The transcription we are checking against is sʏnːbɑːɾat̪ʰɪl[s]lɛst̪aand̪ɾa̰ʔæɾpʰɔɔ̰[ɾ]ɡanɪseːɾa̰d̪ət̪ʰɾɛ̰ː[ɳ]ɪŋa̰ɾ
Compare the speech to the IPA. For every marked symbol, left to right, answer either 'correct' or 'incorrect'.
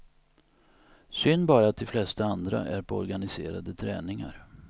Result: incorrect, correct, incorrect

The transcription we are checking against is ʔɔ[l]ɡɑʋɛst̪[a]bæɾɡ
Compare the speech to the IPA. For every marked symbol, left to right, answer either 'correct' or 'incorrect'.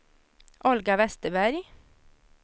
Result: correct, incorrect

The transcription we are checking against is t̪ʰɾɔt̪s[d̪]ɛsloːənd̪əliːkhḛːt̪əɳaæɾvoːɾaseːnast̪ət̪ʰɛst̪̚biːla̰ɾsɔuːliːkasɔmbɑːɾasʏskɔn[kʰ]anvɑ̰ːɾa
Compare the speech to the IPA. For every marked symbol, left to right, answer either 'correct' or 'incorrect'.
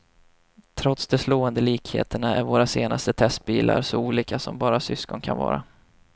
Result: correct, correct

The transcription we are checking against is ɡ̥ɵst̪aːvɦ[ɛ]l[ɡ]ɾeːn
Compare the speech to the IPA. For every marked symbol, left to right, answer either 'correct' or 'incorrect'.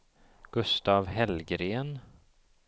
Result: correct, correct

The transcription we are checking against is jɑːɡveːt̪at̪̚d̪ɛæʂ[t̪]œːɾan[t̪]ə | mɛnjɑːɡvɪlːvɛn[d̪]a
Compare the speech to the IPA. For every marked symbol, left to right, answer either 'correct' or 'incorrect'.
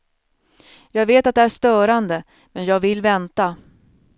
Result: correct, incorrect, incorrect

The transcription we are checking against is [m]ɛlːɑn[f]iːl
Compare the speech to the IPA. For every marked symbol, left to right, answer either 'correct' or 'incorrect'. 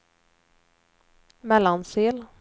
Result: correct, incorrect

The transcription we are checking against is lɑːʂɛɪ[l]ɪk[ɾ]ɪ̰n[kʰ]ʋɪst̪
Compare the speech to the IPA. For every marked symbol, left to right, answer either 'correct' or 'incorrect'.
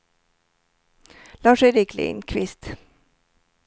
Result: incorrect, incorrect, correct

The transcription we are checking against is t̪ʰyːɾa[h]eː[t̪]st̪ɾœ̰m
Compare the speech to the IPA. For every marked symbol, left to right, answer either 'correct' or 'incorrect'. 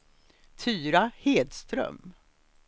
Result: correct, incorrect

